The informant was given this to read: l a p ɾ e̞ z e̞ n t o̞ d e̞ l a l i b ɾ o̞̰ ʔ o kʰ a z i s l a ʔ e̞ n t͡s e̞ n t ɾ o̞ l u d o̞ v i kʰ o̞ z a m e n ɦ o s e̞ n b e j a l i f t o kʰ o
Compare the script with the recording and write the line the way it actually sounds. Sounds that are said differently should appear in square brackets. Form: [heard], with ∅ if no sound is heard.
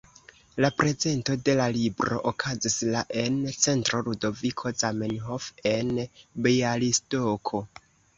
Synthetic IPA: l a p ɾ e̞ z e̞ n t o̞ d e̞ l a l i b ɾ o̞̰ ʔ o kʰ a z i s l a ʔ e̞ n t͡s e̞ n t ɾ o̞ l u d o̞ v i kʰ o̞ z a m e n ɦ o [f] e̞ n b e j a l i [s] t o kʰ o